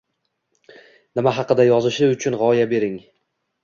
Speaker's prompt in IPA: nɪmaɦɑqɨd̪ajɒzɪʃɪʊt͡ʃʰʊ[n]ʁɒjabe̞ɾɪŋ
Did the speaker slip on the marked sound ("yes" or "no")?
no